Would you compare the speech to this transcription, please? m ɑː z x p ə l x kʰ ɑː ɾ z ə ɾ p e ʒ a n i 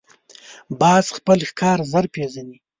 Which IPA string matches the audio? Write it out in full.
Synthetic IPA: b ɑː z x p ə l x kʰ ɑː ɾ z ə ɾ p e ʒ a n i